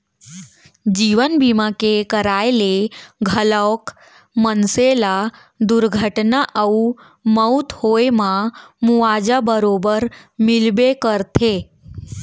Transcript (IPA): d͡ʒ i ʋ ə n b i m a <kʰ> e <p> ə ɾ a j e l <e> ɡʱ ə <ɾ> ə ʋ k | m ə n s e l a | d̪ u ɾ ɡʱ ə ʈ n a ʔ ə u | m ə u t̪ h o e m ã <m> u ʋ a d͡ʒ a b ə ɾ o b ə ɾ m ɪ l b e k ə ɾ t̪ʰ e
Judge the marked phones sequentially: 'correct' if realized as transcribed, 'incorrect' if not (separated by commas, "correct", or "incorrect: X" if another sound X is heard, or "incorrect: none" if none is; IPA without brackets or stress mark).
incorrect: k, incorrect: k, correct, incorrect: l, correct